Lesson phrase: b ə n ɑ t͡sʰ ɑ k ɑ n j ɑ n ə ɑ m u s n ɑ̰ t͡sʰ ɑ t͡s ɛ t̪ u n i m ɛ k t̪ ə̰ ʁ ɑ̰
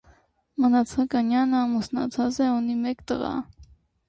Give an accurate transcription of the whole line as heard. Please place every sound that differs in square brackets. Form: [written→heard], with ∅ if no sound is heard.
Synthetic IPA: [b→m] ə n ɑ t͡sʰ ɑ k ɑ n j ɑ n ə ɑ m u s n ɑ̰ t͡sʰ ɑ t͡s ɛ [t̪→∅] u n i m ɛ k t̪ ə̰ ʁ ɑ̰